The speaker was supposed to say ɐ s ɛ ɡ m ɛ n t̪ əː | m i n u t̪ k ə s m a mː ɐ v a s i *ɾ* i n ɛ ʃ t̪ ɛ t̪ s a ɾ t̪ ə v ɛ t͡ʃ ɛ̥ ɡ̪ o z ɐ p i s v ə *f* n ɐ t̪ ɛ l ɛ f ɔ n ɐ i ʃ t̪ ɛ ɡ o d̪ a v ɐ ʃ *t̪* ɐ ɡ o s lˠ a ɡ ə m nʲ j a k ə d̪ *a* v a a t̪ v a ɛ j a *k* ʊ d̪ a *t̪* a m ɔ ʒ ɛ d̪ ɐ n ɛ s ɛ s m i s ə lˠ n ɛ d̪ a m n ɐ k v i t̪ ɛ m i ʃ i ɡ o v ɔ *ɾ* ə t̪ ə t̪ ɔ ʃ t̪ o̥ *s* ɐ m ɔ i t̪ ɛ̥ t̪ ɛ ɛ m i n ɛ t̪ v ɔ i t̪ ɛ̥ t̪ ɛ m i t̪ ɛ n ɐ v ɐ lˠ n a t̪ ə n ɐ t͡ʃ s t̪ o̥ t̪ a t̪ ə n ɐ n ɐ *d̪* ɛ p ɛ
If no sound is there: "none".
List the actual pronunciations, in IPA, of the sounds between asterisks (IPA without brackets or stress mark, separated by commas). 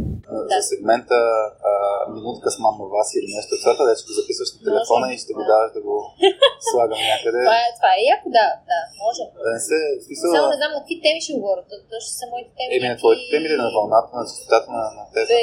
l, ʃ, d̪, ɛ, k, d̪, ɾ, s, t̪